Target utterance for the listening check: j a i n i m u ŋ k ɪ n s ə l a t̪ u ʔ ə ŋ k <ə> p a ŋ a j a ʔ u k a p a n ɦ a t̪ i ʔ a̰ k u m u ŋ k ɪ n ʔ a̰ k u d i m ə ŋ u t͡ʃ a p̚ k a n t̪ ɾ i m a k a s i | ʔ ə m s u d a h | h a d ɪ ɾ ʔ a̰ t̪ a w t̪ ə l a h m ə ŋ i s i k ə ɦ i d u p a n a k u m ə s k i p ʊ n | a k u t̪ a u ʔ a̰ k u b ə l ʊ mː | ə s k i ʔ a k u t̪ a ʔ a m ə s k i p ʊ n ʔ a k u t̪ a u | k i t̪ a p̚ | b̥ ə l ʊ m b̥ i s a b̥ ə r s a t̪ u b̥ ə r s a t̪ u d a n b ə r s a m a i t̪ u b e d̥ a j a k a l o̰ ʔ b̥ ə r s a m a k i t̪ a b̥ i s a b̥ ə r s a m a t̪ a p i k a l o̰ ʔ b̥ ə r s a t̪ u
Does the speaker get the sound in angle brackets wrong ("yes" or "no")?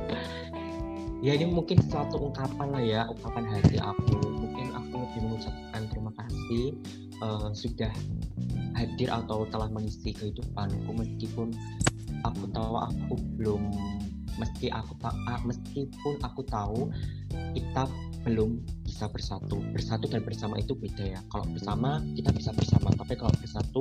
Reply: yes